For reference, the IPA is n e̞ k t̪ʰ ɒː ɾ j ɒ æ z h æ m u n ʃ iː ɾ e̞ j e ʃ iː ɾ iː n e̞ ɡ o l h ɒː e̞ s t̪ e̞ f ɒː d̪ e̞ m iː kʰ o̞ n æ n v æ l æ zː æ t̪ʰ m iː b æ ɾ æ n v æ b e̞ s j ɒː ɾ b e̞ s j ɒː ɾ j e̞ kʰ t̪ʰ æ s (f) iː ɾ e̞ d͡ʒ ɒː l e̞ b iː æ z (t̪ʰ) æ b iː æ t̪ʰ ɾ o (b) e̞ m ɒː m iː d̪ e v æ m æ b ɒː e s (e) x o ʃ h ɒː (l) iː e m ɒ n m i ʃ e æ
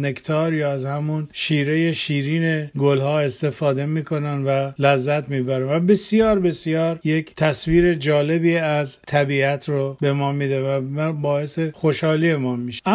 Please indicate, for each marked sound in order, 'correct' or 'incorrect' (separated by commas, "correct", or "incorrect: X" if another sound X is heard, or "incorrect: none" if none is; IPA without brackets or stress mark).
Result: incorrect: v, correct, correct, correct, correct